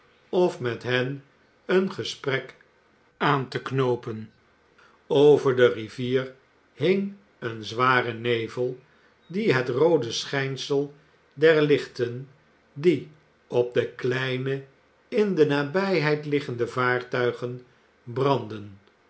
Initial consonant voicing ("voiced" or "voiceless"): voiceless